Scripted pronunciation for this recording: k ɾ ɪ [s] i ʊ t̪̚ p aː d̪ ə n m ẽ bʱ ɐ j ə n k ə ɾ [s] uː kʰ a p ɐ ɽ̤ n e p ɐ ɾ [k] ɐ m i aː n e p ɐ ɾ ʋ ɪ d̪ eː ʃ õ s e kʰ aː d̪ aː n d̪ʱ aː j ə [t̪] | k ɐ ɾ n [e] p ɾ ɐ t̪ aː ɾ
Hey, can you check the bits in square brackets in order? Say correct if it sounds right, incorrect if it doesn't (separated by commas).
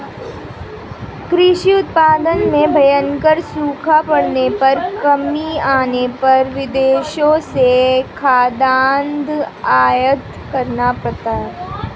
incorrect, correct, correct, correct, incorrect